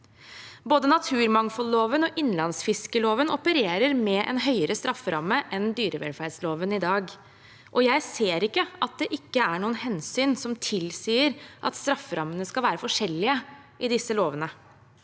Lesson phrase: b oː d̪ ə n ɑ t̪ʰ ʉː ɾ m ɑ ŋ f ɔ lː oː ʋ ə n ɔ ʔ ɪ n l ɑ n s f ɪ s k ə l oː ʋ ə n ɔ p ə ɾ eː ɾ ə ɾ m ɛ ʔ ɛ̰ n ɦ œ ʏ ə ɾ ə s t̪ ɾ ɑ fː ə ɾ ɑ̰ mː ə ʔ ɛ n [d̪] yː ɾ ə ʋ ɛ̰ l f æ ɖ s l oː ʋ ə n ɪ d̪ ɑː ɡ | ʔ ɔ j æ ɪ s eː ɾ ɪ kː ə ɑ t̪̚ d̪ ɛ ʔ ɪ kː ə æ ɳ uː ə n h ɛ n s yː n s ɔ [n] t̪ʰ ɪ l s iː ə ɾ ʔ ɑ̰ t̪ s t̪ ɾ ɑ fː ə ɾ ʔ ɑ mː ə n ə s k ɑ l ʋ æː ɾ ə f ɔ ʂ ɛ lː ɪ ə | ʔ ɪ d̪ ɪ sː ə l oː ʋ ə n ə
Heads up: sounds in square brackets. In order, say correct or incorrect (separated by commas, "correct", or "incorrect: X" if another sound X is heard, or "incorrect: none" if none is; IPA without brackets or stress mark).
correct, incorrect: m